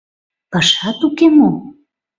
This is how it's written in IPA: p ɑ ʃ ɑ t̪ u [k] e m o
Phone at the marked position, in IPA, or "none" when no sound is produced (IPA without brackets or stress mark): k